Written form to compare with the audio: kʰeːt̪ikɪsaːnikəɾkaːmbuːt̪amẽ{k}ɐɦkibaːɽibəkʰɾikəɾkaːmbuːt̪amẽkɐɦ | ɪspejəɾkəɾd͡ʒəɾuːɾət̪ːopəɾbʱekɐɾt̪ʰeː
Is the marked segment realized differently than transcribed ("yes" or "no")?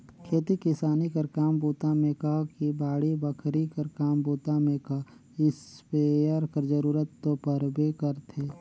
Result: no